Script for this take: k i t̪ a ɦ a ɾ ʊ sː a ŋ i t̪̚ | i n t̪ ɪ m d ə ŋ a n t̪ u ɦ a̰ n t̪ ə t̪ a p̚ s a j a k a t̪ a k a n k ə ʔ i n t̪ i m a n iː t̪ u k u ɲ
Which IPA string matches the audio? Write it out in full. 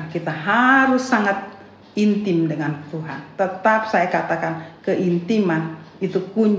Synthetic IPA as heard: k i t̪ a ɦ a ɾ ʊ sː a ŋ a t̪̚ | i n t̪ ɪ m d ə ŋ a n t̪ u ɦ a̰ n t̪ ə t̪ a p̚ s a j a k a t̪ a k a n k ə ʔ i n t̪ i m a n i t̪ u k u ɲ